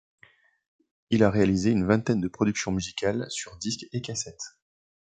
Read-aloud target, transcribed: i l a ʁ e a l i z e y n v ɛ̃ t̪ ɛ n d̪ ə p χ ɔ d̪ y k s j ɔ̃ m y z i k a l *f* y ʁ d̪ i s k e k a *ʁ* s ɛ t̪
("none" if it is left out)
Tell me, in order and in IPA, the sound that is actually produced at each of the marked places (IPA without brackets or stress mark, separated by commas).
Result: s, none